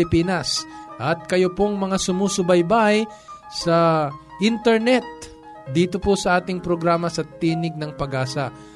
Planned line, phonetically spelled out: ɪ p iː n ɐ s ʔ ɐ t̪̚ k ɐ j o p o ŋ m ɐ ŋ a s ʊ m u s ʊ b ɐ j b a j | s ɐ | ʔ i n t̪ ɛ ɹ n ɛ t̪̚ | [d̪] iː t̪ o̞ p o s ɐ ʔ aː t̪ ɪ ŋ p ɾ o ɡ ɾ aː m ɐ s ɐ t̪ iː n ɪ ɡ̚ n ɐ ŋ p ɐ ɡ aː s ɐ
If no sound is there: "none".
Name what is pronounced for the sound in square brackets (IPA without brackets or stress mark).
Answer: d̪